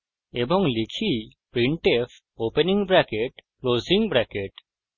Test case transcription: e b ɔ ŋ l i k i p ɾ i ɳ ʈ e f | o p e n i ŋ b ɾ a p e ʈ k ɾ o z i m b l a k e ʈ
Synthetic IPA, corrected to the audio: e b ɔ ŋ l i kʰ i p ɾ i ɳ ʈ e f | o p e n i ŋ b ɾ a k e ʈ k l o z i ŋ b ɾ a k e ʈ